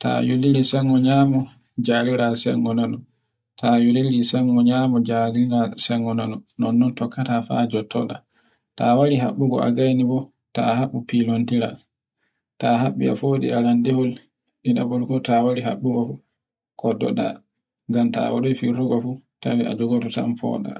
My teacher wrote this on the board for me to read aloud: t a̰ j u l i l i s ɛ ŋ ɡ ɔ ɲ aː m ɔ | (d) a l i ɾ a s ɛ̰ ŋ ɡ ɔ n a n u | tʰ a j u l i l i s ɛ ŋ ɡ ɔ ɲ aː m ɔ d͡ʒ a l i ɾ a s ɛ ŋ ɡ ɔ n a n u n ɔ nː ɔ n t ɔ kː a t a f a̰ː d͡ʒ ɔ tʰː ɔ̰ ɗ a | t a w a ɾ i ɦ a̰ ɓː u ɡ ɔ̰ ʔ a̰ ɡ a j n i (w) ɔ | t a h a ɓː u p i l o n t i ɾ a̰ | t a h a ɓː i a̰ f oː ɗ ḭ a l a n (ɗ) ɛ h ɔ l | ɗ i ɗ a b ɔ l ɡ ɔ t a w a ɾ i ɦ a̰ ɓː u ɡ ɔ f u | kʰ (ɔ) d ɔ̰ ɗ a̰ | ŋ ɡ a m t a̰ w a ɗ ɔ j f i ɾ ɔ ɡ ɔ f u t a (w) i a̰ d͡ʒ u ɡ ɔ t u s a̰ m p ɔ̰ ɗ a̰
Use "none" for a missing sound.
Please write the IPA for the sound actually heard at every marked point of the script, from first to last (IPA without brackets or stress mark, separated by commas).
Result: d͡ʒ, b, d, ɔ, w